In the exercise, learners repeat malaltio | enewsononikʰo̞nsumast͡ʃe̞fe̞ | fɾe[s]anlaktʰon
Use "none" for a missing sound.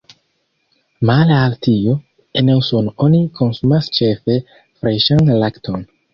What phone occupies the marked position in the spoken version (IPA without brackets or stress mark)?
ʃ